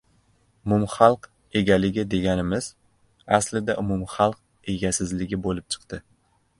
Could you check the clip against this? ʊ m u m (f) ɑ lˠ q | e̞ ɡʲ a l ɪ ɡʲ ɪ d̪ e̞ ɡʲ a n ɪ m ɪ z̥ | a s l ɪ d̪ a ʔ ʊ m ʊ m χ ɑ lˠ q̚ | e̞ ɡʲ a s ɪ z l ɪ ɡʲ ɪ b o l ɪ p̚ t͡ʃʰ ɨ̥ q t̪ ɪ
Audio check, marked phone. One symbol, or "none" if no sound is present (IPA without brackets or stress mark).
χ